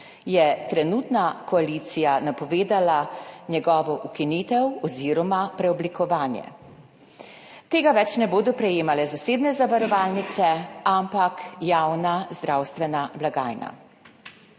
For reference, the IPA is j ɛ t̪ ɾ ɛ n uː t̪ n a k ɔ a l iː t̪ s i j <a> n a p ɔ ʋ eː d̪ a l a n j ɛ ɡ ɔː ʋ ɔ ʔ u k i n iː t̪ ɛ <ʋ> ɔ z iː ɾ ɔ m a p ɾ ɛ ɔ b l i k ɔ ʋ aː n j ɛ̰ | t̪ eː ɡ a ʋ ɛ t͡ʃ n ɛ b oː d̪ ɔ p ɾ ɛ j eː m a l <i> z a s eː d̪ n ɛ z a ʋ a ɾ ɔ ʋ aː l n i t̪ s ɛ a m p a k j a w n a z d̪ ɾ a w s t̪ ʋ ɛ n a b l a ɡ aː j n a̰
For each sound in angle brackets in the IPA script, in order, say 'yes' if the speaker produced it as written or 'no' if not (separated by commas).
yes, no, no